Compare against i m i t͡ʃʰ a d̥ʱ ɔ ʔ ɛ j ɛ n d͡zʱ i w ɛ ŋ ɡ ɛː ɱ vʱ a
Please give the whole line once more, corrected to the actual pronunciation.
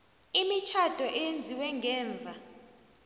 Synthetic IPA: i m i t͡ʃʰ a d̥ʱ ɔ ʔ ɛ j e n d͡zʱ i w ɛ ŋ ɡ ɛː ɱ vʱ a